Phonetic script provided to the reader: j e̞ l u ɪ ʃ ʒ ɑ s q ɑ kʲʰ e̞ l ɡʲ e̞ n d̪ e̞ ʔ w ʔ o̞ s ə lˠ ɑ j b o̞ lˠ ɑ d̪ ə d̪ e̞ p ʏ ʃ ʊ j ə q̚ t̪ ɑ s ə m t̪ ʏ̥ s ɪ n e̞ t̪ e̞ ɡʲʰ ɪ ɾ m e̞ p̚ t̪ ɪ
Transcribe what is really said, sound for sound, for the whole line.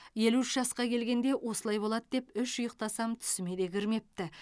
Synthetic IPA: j e̞ l u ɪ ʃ ʒ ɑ s q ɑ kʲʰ e̞ l ɡʲ e̞ n d̪ e̞ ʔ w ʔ o̞ s ə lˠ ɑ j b o̞ lˠ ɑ d̪ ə d̪ e̞ p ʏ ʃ ʊ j ə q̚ t̪ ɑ s ɑ m t̪ʰ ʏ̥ s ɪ m e̞ d̪ e̞ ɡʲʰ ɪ ɾ m e̞ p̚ t̪ ɪ

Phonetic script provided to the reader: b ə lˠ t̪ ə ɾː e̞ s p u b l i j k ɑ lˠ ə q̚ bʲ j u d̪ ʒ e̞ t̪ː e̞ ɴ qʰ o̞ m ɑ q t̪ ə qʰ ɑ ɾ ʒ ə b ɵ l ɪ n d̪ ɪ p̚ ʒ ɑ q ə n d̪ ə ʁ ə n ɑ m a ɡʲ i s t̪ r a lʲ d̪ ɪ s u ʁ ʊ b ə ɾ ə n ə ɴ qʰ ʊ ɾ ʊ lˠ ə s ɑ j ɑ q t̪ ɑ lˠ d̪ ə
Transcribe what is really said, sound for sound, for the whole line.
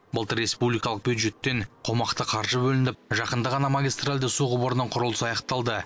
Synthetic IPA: b ə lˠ t̪ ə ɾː e̞ s p u b l i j k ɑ lˠ ə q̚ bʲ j u d̪ ʒ e̞ t̪ː e̞ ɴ qʰ o̞ m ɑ q t̪ ə qʰ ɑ ɾ ʒ ə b ɵ l ɪ n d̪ ɪ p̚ ʒ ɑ q ə n d̪ ə ʁ ɑ n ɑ m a ɡʲ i s t̪ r a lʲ d̪ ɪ s u ʁ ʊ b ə ɾ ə n ə ɴ qʰ ʊ ɾ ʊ lˠ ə s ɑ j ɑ q t̪ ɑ lˠ d̪ ə

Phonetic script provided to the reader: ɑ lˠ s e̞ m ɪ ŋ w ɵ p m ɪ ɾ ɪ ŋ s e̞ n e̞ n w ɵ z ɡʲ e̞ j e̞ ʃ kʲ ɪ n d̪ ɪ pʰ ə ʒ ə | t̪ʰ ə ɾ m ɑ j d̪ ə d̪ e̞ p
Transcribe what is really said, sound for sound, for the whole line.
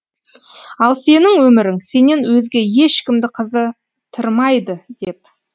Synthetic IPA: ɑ lˠ s e̞ n ɪ ŋ w ɵ m ɪ ɾ ɪ ŋ s e̞ n e̞ n w ɵ z ɡʲ e̞ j e̞ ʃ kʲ ɪ m d̪ ɪ qʰ ə z ə | t̪ʰ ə ɾ m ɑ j d̪ ə d̪ e̞ p

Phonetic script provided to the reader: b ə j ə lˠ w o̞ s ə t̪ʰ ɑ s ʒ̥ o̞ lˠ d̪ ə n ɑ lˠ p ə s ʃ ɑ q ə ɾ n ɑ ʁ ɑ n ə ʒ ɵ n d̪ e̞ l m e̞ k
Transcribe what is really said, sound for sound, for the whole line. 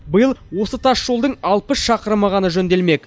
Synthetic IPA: b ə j ə lˠ w o̞ s ə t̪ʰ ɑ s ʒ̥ o̞ lˠ d̪ ə ɴ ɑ lˠ p ə s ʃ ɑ q ə ɾ m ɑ ʁ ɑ n ə ʒ ɵ n d̪ e̞ l m e̞ k

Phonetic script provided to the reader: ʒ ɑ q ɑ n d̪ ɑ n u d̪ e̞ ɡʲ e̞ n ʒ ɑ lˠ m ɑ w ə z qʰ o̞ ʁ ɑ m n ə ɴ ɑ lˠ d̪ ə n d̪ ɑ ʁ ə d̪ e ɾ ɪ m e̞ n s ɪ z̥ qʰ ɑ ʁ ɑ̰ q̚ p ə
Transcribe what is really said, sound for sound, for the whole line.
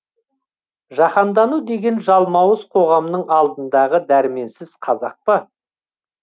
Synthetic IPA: ʒ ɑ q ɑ n d̪ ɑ n u d̪ e̞ ɡʲ e̞ n ʒ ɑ lˠ m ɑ w ə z qʰ o̞ ʁ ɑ m n ə ɴ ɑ lˠ d̪ ə n d̪ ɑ ʁ ə d̪ æ ɾ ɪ m e̞ n s ɪ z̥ qʰ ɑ z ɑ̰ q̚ p ə

